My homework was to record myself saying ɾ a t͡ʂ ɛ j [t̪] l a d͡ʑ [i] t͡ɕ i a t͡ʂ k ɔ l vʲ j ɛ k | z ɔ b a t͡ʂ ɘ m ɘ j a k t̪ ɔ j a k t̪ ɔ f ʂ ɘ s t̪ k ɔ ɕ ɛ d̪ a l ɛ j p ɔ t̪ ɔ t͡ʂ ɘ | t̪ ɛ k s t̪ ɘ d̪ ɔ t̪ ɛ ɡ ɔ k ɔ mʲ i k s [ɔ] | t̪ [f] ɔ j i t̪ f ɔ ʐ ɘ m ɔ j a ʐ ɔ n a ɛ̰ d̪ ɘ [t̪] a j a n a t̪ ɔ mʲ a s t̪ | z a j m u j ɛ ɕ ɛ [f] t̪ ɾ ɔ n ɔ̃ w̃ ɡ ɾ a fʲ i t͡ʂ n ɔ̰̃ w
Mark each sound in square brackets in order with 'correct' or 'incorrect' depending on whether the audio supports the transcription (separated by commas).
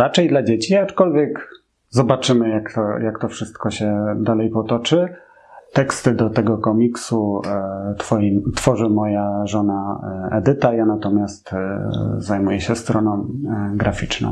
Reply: incorrect, incorrect, incorrect, correct, correct, incorrect